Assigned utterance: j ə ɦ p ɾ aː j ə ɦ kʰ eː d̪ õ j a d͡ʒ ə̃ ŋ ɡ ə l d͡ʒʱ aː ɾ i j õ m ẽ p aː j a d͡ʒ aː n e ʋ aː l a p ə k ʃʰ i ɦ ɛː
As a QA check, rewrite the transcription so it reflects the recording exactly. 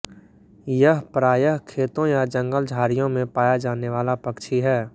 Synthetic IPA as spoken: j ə ɦ p ɾ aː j ə ɦ kʰ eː t̪ õ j a d͡ʒ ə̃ ŋ ɡ ə l d͡ʒʱ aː ɾ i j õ m ẽ p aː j a d͡ʒ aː n e ʋ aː l a p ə k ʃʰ i ɦ ɛː